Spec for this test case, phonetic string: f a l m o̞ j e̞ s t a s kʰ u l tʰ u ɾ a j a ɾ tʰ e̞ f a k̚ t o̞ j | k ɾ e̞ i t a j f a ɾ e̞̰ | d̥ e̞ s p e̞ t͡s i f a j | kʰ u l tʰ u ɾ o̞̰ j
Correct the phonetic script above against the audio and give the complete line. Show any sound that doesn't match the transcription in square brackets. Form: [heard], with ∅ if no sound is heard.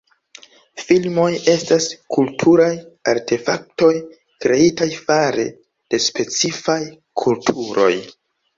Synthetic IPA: f [i] l m o̞ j e̞ s t a s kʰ u l tʰ u ɾ a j a ɾ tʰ e̞ f a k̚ t o̞ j | k ɾ e̞ i t a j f a ɾ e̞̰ | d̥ e̞ s p e̞ t͡s i f a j | kʰ u l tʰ u ɾ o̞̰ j

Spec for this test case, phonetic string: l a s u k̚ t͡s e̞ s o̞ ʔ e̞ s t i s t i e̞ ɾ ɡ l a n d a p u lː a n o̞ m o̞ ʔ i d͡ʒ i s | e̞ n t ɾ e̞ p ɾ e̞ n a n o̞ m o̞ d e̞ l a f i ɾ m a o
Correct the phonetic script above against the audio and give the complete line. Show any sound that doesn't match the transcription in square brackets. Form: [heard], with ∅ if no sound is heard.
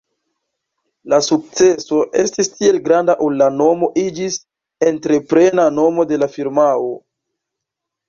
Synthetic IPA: l a s u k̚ t͡s e̞ s o̞ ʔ e̞ s t i s t i e̞ [l] ɡ [ɾ] a n d a [ʔ] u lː a n o̞ m o̞ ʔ i d͡ʒ i s | e̞ n t ɾ e̞ p ɾ e̞ n a n o̞ m o̞ d e̞ l a f i ɾ m a o

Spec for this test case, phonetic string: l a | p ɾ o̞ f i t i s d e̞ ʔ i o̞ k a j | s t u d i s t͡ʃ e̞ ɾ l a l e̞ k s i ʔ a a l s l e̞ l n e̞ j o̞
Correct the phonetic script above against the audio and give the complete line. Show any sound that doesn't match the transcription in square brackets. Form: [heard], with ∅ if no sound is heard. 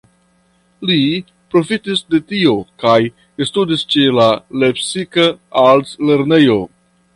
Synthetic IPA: l [i] | p ɾ o̞ f i t i s d e̞ [t] i o̞ k a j | s t u d i s t͡ʃ e̞ [∅] l a l e̞ [p] s i [k] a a l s l e̞ [ɾ] n e̞ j o̞

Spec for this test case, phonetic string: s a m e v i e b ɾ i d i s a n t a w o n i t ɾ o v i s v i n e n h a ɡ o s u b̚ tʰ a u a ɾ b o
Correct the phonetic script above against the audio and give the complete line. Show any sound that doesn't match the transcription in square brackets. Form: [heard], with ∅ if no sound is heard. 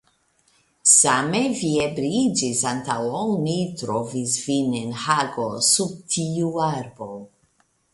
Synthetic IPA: s a m e v i e b ɾ i [d͡ʒ] i s a n t a w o n i t ɾ o v i s v i n e n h a ɡ o s u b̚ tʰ [i] u a ɾ b o

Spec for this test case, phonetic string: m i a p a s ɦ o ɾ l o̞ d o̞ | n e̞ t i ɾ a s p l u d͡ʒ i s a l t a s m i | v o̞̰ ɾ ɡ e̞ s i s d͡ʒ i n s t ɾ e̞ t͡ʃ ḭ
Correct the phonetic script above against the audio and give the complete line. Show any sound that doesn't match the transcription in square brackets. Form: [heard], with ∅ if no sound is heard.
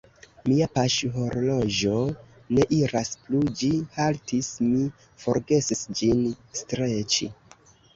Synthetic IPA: m i a p a [ʃ] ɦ o ɾ l o̞ [d͡ʒ] o̞ | n e̞ [ʔ] i ɾ a s p l u d͡ʒ i [h] a l t [i] s m i | [f] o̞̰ ɾ ɡ e̞ s i s d͡ʒ i n s t ɾ e̞ t͡ʃ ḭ

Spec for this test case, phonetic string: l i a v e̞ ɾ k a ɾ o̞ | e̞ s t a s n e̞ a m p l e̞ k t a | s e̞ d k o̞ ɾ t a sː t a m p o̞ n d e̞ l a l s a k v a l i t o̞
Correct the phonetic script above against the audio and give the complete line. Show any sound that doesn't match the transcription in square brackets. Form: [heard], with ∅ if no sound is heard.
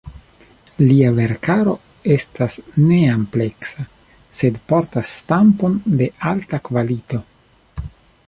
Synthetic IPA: l i a v e̞ ɾ k a ɾ o̞ | e̞ s t a s n e̞ a m p l e̞ k [s] a | s e̞ d [p] o̞ ɾ t a sː t a m p o̞ n d e̞ [∅] a l [t] a k v a l i t o̞

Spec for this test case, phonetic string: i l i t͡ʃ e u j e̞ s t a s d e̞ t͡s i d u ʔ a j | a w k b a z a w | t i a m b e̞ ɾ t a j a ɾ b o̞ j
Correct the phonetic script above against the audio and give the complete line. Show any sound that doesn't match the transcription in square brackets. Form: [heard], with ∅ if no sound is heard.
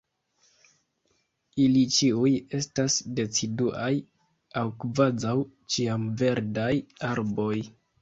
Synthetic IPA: i l i t͡ʃ [i] u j e̞ s t a s d e̞ t͡s i d u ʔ a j | a w k [v] a z a w | [t͡ʃ] i a m [v] e̞ ɾ [d] a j a ɾ b o̞ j

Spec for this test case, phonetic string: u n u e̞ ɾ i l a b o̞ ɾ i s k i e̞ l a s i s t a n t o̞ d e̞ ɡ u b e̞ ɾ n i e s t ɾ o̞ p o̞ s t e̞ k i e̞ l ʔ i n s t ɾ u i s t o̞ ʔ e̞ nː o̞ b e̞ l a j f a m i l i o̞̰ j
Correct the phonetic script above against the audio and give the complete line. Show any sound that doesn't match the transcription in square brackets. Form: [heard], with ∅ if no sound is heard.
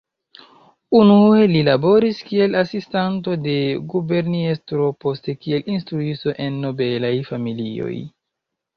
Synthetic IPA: u n u e̞ [l] i l a b o̞ ɾ i s k i e̞ l a s i s t a n t o̞ d e̞ ɡ u b e̞ ɾ n i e s t ɾ o̞ p o̞ s t e̞ k i e̞ l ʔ i n s t ɾ u i s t o̞ ʔ e̞ nː o̞ b e̞ l a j f a m i l i o̞̰ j

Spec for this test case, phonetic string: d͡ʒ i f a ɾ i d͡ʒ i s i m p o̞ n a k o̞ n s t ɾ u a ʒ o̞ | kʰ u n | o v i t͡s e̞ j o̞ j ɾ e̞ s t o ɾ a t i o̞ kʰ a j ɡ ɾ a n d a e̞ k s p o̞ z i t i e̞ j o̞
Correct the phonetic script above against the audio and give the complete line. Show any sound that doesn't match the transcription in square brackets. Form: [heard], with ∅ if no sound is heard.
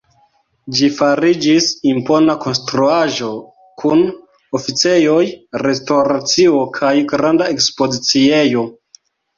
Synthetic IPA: d͡ʒ i f a ɾ i d͡ʒ i s i m p o̞ n a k o̞ n s t ɾ u a ʒ o̞ | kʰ u n | o [f] i t͡s e̞ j o̞ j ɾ e̞ s t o ɾ a [t͡s] i o̞ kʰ a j ɡ ɾ a n d a e̞ k s p o̞ z i [t͡s] i e̞ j o̞

